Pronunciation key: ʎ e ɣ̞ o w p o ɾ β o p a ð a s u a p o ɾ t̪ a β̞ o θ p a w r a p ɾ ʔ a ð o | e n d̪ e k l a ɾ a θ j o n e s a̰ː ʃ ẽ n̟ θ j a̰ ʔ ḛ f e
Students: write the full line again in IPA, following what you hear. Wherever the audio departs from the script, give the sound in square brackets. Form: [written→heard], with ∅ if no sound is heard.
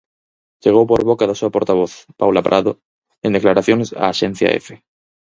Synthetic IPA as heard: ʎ e ɣ̞ o w p o ɾ β o [p→k] a ð a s u a p o ɾ t̪ a β̞ o θ p a w [r→l] a p ɾ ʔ a ð o | e n d̪ e k l a ɾ a θ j o n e s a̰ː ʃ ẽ n̟ θ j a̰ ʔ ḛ f e